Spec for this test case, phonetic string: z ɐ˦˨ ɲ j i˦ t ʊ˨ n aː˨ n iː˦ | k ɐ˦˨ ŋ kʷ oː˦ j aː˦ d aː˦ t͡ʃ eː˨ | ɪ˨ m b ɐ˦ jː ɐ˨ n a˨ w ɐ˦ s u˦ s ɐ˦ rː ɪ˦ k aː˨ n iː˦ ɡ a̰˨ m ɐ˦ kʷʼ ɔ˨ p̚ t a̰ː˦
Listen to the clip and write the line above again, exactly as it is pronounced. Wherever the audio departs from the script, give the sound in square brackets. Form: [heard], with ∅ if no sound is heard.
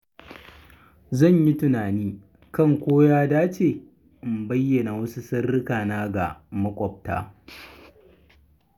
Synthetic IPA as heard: z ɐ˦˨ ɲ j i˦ t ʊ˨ n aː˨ n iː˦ | k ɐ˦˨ ŋ kʷ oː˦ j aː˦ d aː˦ t͡ʃ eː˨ | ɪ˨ m b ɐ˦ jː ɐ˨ n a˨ w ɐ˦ s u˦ s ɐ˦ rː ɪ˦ k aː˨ n [aː˦] ɡ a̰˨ m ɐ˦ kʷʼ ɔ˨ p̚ t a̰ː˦